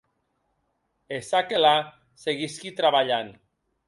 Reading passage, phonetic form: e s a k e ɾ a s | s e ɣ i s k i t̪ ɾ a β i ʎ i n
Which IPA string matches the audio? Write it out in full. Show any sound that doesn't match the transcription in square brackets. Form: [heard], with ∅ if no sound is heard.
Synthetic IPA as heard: e s a k e [l] a [∅] | s e ɣ i s k i t̪ ɾ a β [a] ʎ [a] n